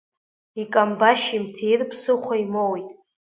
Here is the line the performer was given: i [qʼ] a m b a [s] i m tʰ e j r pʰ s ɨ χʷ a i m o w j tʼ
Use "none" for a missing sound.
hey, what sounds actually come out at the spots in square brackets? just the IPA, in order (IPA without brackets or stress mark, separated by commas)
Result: kʼ, ʃ